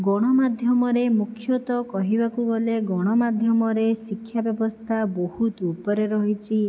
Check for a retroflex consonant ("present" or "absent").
present